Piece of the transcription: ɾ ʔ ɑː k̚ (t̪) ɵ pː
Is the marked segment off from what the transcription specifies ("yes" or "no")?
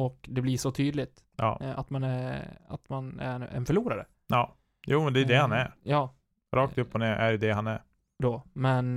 no